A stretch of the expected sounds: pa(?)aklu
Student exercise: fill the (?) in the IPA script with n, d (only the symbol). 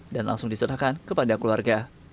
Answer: d